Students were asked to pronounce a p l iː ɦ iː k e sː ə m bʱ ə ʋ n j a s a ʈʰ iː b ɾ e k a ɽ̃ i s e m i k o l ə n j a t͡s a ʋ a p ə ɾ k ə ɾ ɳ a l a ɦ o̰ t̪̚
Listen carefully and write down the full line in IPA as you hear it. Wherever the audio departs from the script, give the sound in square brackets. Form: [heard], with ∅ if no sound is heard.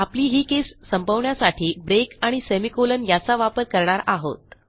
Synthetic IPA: a p l iː ɦ iː k e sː ə m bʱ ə ʋ [ɳ] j a s a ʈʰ iː b ɾ e k a ɽ̃ i s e m i k o l ə n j a t͡s a ʋ a p ə ɾ k ə ɾ ɳ a [ɾ] a ɦ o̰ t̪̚